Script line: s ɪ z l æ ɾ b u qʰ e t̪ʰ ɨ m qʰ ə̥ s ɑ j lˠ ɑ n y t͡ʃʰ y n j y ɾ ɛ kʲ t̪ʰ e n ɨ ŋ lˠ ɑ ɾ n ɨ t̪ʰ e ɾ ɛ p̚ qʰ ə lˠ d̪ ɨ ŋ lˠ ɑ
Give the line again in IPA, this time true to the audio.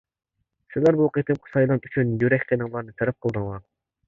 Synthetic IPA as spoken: s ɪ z l æ ɾ b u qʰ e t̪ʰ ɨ m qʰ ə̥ s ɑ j lˠ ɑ n y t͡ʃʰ y n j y ɾ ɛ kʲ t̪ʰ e n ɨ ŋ lˠ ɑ ɾ n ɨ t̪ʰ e ɾ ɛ p̚ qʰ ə lˠ d̪ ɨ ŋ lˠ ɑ

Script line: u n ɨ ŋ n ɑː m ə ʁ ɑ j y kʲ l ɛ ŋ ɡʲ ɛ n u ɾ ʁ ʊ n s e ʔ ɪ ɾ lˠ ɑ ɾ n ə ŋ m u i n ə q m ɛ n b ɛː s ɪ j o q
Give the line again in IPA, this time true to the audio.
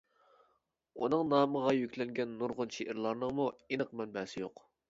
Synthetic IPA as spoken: u n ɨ ŋ n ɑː m ə ʁ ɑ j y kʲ l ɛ ŋ ɡʲ ɛ nː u ɾ ʁ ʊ n ʃ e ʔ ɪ ɾ lˠ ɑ ɾ n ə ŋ m u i n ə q m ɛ n b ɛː s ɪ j o q

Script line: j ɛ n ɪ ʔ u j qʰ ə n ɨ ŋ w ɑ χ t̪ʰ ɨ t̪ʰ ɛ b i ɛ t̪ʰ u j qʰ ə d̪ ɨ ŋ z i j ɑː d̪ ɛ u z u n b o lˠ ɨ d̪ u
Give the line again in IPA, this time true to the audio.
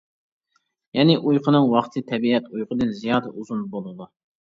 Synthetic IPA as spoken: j ɛ n ɪ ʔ u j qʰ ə n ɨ ŋ w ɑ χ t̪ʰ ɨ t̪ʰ ɛ b i ɛ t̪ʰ u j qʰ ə d̪ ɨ n z i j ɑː d̪ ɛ u z u n b o lˠ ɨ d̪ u

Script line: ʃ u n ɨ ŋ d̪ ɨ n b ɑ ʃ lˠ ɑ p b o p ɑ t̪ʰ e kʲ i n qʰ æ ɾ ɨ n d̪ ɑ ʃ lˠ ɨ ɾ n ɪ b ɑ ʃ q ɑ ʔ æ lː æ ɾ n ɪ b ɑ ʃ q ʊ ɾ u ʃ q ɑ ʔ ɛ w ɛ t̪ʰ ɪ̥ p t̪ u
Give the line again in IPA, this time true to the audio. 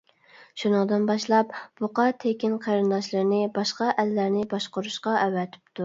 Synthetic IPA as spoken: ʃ u n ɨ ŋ d̪ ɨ n b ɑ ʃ lˠ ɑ p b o q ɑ t̪ʰ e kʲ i n qʰ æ ɾ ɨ n d̪ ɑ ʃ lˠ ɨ ɾ n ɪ b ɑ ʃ q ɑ ʔ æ lː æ ɾ n ɪ b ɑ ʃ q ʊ ɾ u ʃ q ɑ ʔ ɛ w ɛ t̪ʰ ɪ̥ p t̪ u

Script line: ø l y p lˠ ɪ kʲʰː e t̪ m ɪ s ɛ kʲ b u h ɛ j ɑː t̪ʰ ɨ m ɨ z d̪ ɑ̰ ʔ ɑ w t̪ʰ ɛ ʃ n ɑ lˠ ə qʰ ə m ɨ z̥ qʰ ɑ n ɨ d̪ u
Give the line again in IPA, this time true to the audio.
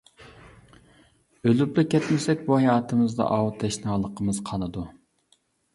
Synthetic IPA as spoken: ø l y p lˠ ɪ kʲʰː ɛ t̪ m ɪ s ɛ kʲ b u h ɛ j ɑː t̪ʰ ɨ m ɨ z d̪ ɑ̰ ʔ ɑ w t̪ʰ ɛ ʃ n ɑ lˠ ə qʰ ə m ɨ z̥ qʰ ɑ n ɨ d̪ u

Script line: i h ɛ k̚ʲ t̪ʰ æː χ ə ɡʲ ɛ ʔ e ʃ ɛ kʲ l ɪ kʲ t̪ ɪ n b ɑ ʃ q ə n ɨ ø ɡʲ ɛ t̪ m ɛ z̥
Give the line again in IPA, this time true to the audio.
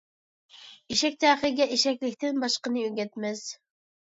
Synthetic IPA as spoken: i ʃ ɛ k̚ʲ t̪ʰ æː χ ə ɡʲ ɛ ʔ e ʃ ɛ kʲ l ɪ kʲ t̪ ɪ n b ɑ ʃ q ə n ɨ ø ɡʲ ɛ t̪ m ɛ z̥

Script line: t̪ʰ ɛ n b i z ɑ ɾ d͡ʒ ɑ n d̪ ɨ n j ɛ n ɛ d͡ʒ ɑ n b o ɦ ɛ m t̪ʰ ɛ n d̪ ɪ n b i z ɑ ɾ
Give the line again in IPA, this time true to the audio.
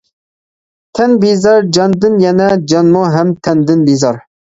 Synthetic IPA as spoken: t̪ʰ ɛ n b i z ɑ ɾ d͡ʒ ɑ n d̪ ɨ n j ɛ n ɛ d͡ʒ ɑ n m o ɦ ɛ m t̪ʰ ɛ n d̪ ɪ n b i z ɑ ɾ

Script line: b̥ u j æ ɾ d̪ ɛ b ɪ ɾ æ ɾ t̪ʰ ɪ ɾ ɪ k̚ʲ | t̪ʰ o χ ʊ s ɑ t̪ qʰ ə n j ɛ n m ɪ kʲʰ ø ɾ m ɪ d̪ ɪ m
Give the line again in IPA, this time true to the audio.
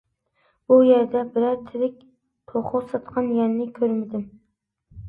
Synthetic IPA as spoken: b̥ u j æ ɾ d̪ ɛ b ɪ ɾ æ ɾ t̪ʰ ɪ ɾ ɪ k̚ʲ | t̪ʰ o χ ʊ s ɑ t̪ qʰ ɑ n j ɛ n n ɪ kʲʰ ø ɾ m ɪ d̪ ɪ m

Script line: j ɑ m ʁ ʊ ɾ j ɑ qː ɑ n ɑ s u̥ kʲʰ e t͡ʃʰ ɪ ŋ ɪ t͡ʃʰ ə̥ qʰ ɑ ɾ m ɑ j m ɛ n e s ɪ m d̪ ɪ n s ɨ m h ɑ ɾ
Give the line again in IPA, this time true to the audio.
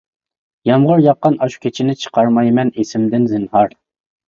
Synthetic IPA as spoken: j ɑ m ʁ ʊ ɾ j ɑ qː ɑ n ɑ ʃ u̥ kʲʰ e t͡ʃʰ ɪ n ɪ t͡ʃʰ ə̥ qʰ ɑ ɾ m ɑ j m ɛ n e s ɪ m d̪ ɪ n z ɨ n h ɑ ɾ

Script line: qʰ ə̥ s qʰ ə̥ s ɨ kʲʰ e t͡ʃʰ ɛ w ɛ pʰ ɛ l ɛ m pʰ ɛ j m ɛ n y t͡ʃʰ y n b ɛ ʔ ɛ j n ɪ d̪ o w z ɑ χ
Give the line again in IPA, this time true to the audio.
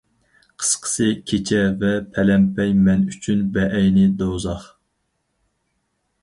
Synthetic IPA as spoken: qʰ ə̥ s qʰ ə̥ s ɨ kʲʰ e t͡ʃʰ ɛ v ɛ pʰ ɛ l ɛ m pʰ ɛ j m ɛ n y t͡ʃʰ y n b ɛ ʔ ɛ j n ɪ d̪ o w z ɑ χ

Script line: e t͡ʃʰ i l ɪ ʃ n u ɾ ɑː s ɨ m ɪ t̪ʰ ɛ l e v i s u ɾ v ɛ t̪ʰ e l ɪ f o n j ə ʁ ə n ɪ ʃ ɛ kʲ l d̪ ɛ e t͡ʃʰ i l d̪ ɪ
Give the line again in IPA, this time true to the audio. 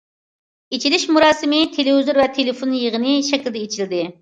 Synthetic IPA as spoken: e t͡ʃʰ i l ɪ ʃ m u ɾ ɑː s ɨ m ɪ t̪ʰ e l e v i z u ɾ v ɛ t̪ʰ e l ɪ f o n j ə ʁ ə n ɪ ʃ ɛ kʲ l d̪ ɛ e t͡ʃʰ i l d̪ ɪ

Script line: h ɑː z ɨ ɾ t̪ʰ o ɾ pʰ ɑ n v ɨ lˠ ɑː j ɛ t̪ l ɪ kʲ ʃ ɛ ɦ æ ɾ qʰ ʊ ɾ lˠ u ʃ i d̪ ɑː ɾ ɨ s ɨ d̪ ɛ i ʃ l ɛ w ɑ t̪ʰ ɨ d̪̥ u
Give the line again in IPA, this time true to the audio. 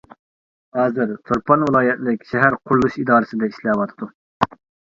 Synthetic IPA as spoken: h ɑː z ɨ ɾ t̪ʰ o ɾ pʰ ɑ n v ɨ lˠ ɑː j ɛ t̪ l ɪ kʲ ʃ ɛ ɦ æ ɾ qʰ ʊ ɾ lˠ u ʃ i d̪ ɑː ɾ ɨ s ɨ d̪ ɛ i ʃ l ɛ w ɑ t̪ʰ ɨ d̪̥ u

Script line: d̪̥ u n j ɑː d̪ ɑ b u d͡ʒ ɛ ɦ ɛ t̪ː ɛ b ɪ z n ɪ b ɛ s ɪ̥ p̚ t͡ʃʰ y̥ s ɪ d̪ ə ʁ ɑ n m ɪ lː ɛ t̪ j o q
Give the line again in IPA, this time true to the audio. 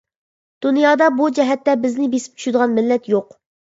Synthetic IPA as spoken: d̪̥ u n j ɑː d̪ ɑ b u d͡ʒ ɛ ɦ ɛ t̪ː ɛ b ɪ z n ɪ b e s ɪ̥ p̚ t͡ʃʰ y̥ ʃ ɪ d̪ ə ʁ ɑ n m ɪ lː ɛ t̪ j o q

